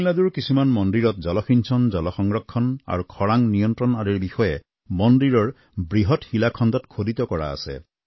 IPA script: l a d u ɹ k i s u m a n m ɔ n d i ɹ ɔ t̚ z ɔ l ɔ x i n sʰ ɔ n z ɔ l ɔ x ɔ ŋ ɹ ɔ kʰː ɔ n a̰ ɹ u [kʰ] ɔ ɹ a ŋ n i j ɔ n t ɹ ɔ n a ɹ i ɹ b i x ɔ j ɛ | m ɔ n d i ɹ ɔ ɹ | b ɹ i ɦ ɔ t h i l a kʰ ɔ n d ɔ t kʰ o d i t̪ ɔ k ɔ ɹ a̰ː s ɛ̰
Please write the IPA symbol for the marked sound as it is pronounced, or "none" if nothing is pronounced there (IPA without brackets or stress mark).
kʰ